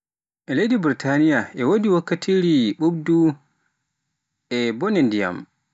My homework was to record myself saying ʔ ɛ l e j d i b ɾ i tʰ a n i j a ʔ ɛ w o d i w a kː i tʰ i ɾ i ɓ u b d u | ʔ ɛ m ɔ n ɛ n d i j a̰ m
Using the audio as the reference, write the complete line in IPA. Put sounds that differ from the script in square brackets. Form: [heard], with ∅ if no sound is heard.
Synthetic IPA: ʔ ɛ l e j d i b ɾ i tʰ a n i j a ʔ ɛ w o d i w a kː [a] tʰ i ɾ i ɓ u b d u | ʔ ɛ [b] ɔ n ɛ n d i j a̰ m